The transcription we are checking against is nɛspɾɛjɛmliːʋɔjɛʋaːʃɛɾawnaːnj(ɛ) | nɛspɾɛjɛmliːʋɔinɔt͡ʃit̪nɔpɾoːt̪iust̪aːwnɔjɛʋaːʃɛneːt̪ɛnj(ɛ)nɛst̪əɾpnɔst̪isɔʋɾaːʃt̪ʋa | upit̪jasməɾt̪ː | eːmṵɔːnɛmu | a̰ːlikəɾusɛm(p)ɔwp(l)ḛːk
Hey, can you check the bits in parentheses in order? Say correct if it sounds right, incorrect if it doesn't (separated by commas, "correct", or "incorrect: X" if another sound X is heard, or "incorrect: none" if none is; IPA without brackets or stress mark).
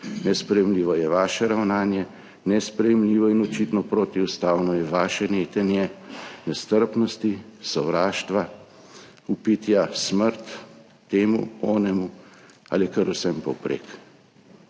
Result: correct, correct, correct, incorrect: ɾ